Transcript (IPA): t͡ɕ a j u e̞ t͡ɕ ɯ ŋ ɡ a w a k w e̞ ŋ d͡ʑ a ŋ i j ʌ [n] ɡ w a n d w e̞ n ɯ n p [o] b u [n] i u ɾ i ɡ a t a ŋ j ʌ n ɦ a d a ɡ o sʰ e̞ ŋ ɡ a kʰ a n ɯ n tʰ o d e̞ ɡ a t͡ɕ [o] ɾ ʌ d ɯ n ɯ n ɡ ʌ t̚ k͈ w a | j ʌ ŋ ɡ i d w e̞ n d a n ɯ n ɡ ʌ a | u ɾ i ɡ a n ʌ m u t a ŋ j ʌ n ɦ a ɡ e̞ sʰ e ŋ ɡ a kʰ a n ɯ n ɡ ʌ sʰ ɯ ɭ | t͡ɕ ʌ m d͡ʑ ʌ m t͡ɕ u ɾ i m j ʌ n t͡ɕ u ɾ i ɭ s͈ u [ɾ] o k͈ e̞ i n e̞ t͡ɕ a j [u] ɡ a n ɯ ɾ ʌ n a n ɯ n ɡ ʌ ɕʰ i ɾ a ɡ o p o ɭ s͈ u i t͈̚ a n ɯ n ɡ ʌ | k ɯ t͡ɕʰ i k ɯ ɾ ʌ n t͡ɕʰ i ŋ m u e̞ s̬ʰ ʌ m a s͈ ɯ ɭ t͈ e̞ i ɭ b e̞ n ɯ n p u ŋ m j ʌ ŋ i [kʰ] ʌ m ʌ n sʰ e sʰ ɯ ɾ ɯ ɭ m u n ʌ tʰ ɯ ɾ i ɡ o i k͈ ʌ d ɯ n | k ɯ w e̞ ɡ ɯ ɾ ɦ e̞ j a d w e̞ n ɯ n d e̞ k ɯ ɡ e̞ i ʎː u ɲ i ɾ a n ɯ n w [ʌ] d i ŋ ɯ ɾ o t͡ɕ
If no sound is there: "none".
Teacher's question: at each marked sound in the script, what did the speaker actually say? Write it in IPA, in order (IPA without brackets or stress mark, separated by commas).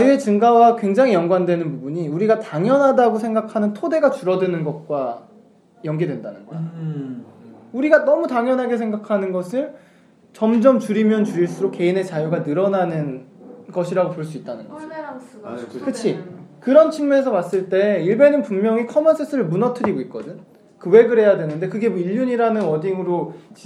ŋ, u, ɲ, u, ɾ, u, kʰ, ʌ